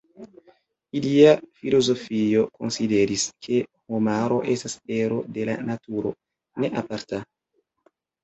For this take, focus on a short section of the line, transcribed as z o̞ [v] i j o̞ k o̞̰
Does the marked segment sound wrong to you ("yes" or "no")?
yes